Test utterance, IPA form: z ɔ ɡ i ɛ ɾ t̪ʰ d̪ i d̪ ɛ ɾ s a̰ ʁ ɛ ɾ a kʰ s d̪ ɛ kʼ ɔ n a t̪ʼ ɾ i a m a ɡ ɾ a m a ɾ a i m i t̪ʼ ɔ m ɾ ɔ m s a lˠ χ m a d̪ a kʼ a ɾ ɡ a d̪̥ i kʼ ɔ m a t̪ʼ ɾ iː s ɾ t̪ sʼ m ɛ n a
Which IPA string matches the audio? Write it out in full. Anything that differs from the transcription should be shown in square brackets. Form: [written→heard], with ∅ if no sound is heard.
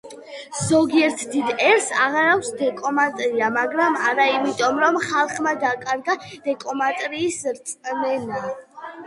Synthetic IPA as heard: z ɔ ɡ i ɛ ɾ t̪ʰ d̪ i d̪ ɛ ɾ s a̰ ʁ [ɛ→a] ɾ a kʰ s d̪ ɛ kʼ ɔ [n→m] a t̪ʼ ɾ i a m a ɡ ɾ a m a ɾ a i m i t̪ʼ ɔ m ɾ ɔ m [s→χ] a lˠ χ m a d̪ a kʼ a ɾ ɡ a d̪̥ [i→ɛ] kʼ ɔ m a t̪ʼ ɾ iː s ɾ t̪ sʼ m ɛ n a